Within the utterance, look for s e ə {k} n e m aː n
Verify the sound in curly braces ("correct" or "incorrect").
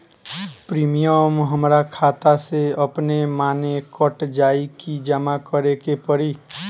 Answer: incorrect